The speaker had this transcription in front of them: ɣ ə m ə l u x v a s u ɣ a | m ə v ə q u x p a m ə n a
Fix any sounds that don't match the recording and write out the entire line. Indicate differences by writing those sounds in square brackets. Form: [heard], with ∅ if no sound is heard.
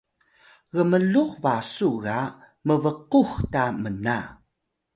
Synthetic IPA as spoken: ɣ ə m ə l u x v a s u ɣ a | m ə v ə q u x [t] a m ə n a